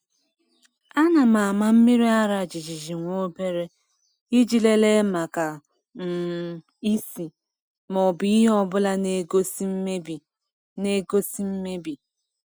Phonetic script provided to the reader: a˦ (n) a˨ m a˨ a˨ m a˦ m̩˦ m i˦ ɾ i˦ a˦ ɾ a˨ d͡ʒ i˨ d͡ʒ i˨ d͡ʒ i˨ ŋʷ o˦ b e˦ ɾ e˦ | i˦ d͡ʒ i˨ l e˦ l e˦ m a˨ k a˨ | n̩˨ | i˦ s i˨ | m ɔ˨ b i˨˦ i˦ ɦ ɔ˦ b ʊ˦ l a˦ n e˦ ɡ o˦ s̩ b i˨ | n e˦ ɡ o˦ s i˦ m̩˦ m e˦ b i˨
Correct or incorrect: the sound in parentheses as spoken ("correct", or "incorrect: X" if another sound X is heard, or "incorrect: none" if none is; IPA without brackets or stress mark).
correct